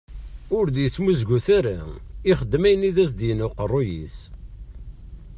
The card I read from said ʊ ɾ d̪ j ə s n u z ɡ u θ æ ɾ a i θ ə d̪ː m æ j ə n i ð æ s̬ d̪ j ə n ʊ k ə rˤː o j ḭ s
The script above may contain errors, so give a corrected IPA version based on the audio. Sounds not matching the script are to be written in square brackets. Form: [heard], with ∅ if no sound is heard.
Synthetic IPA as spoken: ʊ ɾ d̪ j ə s [m] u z ɡ u θ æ ɾ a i [χ] ə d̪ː m æ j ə n i ð æ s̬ d̪ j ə n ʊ [q] ə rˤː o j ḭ s